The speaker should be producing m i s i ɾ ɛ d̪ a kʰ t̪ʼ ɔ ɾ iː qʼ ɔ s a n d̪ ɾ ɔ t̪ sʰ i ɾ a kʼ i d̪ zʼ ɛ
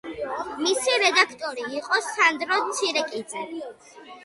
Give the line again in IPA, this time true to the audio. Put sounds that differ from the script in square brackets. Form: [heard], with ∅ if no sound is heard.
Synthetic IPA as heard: m i s i ɾ ɛ d̪ a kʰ t̪ʼ ɔ ɾ iː qʼ ɔ s a n d̪ ɾ ɔ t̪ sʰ i ɾ [ɛ] kʼ i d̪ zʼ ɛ